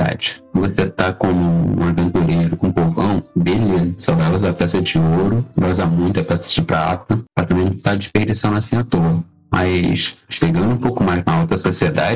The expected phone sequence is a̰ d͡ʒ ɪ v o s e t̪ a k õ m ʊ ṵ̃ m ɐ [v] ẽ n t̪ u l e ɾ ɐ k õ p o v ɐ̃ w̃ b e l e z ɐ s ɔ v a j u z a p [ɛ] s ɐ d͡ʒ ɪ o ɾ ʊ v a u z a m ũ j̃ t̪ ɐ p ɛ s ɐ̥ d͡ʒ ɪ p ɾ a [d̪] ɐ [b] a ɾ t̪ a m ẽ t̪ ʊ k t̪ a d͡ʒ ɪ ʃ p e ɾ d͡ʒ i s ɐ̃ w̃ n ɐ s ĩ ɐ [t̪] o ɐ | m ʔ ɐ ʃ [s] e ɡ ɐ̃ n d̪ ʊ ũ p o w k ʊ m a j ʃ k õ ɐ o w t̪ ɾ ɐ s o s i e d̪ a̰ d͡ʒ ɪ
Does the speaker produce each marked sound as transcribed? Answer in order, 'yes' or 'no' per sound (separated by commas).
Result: yes, yes, no, no, yes, no